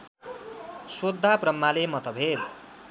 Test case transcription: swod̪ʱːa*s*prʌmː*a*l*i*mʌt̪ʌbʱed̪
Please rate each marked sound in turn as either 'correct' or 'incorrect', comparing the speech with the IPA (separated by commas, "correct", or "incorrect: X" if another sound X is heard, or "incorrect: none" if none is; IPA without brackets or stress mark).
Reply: incorrect: none, correct, incorrect: e